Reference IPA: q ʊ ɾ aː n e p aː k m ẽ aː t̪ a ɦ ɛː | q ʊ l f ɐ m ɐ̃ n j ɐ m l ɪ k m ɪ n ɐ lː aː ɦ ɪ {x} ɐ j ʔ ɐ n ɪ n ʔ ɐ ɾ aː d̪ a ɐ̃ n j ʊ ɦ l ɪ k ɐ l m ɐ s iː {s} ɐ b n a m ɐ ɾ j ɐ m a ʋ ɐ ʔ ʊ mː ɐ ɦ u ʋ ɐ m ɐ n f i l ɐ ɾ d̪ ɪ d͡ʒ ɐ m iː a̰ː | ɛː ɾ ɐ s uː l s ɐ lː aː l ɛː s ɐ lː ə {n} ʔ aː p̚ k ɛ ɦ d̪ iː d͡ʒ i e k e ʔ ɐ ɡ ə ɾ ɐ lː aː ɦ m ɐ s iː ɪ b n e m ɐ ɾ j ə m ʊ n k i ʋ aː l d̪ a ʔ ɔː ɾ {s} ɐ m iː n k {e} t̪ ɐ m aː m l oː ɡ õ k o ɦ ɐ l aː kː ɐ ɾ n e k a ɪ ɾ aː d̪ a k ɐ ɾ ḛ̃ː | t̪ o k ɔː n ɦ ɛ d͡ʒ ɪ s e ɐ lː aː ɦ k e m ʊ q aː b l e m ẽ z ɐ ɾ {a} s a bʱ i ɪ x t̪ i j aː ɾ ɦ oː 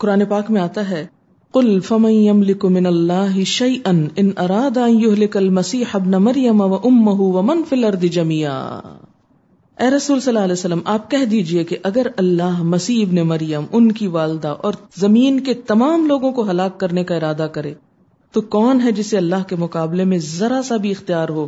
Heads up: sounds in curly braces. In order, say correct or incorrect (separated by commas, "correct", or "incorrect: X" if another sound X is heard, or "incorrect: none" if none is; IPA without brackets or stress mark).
incorrect: ʃ, incorrect: ħ, incorrect: m, incorrect: z, correct, correct